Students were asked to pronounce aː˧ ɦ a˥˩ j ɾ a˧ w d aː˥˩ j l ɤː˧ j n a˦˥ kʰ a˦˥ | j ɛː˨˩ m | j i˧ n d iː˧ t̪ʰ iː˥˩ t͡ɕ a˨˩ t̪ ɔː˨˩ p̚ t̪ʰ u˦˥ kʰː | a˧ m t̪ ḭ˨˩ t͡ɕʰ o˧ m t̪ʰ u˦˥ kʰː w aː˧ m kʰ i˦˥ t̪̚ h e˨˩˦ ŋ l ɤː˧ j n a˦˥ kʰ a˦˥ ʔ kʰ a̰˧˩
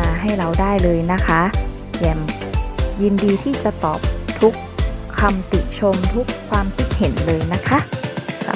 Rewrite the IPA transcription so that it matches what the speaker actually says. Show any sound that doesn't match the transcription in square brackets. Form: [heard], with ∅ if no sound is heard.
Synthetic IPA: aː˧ ɦ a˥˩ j ɾ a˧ w d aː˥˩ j l ɤː˧ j n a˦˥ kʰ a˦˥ | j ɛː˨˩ m | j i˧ n d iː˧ t̪ʰ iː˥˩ t͡ɕ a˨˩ t̪ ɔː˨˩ p̚ t̪ʰ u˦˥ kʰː | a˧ m t̪ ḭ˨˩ t͡ɕʰ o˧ m t̪ʰ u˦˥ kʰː w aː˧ m kʰ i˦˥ t̪̚ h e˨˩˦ [n] l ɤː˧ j n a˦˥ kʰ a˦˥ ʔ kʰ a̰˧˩